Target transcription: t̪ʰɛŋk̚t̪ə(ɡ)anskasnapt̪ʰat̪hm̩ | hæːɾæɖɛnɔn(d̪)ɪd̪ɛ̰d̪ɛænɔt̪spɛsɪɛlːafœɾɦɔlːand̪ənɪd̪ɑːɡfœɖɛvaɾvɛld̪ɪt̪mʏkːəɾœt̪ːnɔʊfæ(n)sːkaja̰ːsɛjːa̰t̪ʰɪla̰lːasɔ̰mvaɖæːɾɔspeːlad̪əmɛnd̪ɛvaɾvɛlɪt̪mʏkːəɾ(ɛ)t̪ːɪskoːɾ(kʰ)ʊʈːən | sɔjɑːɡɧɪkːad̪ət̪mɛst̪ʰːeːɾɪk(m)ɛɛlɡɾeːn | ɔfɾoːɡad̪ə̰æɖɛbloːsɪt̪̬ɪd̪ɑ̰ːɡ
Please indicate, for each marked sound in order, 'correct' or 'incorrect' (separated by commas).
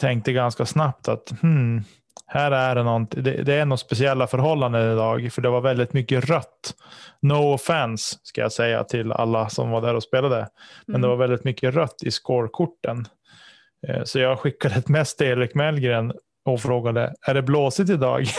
correct, incorrect, correct, incorrect, correct, correct